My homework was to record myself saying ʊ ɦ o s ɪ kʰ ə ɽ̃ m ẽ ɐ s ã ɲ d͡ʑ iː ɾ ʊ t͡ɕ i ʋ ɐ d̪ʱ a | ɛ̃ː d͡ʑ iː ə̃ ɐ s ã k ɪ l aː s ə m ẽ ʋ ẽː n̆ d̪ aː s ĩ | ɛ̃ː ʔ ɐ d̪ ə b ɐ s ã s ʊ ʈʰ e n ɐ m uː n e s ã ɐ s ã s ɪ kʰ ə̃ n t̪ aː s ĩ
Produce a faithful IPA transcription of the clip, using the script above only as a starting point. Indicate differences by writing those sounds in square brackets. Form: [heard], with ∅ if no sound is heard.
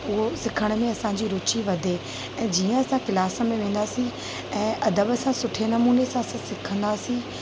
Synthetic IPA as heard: ʊ ɦ o s ɪ kʰ ə ɽ̃ m ẽ ɐ s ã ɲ d͡ʑ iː ɾ ʊ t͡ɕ i ʋ ɐ d̪ʱ [e] | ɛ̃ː d͡ʑ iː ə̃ ɐ s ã k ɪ l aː s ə m ẽ ʋ ẽː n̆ d̪ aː s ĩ | ɛ̃ː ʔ ɐ d̪ ə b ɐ s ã s ʊ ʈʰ e n ɐ m uː n e s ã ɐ s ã s ɪ kʰ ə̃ n [d̪] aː s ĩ